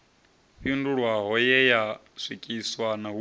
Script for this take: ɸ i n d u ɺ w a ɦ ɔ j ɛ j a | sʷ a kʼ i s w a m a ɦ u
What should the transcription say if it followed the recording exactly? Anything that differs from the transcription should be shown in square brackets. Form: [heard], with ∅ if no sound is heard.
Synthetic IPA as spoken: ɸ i n d u ɺ w a ɦ ɔ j ɛ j a | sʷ [i] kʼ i s w a [n] a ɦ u